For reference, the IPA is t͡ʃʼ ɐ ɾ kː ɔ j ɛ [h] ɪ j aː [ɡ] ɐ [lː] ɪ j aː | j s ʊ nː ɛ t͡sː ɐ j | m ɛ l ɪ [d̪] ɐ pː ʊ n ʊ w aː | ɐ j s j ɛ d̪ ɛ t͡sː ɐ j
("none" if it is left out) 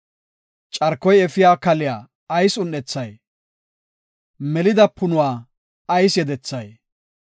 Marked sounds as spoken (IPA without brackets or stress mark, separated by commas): f, k, l, d̪